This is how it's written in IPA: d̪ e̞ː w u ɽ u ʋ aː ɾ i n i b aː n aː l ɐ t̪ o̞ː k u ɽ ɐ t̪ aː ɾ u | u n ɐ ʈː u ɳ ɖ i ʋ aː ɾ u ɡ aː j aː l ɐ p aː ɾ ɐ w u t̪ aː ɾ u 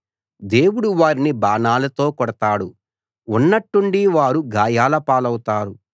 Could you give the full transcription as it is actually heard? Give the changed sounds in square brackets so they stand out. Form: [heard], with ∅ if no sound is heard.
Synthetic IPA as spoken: d̪ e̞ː w u ɽ u ʋ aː ɾ i n i b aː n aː l ɐ t̪ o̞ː k [ɔ] ɽ ɐ t̪ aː [ɽ] u | u [nː] ɐ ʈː u ɳ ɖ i ʋ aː ɾ u ɡ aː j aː l ɐ p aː [l] ɐ w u t̪ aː ɾ u